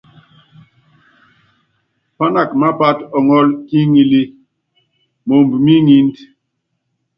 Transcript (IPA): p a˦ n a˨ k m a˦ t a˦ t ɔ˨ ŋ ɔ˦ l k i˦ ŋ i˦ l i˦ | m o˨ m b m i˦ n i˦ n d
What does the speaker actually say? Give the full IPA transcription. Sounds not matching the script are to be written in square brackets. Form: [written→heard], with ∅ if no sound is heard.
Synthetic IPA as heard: p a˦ n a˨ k m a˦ [t→p] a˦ t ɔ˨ ŋ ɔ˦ l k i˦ ŋ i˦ l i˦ | m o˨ m b m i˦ [n→ŋ] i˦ n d